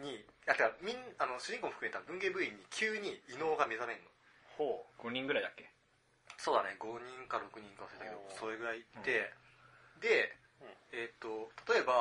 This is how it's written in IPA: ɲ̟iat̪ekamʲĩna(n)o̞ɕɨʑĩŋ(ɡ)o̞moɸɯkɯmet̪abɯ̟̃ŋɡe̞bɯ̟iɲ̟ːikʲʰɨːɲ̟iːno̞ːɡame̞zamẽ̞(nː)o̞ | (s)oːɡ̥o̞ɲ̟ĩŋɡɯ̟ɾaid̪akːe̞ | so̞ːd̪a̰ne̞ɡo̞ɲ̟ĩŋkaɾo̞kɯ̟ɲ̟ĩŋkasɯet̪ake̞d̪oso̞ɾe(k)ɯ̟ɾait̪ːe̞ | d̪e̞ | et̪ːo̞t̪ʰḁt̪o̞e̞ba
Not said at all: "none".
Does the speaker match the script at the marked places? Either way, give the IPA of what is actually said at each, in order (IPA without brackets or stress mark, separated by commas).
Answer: n, k, nː, h, ɡ